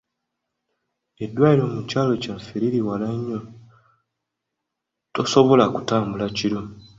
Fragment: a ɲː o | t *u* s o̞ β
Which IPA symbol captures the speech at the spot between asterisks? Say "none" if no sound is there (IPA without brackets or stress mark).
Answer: o